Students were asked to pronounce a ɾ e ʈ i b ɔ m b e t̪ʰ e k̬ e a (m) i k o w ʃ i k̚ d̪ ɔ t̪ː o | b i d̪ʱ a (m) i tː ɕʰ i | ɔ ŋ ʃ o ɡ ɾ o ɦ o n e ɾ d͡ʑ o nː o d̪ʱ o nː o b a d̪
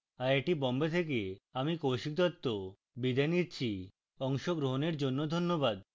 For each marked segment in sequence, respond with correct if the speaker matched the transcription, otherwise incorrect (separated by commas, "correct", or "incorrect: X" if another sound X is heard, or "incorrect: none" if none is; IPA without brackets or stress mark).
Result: correct, incorrect: n